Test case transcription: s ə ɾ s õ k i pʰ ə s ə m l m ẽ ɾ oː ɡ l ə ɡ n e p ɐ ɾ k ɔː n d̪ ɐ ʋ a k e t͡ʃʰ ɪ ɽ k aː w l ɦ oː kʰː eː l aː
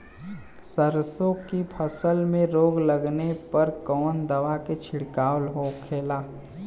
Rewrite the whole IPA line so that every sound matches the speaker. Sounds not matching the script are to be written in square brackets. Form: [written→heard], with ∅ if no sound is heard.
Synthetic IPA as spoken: s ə ɾ s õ k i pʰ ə s ə [m→∅] l m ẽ ɾ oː ɡ l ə ɡ n e p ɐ ɾ k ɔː n d̪ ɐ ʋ a k e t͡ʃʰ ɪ ɽ k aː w l ɦ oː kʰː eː l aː